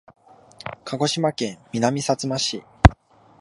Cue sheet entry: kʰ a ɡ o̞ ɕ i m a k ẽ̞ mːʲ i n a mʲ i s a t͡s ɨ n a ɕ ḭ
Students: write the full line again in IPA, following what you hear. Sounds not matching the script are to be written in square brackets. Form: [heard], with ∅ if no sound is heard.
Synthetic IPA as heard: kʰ a ɡ o̞ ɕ i m a k ẽ̞ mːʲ i n a mʲ i s a t͡s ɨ [m] a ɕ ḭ